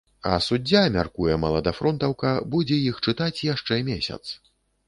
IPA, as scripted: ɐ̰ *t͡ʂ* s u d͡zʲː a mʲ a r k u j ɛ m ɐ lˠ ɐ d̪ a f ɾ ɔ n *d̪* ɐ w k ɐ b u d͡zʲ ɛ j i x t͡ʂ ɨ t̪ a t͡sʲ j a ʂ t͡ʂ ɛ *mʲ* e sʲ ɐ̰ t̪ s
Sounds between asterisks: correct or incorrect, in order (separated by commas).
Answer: incorrect, incorrect, correct